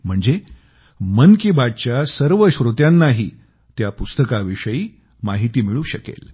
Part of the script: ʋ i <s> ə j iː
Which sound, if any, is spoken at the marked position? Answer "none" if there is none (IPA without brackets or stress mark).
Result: ʂ